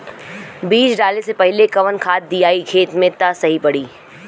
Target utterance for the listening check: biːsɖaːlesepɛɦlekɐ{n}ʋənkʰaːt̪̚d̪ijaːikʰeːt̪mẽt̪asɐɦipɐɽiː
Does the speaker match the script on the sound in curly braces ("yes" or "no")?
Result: no